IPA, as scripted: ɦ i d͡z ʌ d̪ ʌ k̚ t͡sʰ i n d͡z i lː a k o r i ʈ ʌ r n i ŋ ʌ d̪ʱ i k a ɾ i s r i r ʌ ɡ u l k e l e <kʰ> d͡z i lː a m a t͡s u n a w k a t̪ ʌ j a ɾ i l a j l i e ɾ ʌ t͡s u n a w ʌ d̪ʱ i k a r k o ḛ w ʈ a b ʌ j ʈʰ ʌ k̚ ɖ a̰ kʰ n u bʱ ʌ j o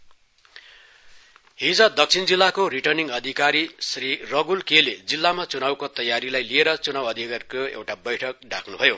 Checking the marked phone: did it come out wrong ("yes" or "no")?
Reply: yes